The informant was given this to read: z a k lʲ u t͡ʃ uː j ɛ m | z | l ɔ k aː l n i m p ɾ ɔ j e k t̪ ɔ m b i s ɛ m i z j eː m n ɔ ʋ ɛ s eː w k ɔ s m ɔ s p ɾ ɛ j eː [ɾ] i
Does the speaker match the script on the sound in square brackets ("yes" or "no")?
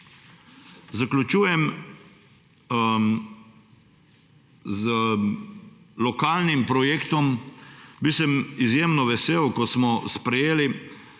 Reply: no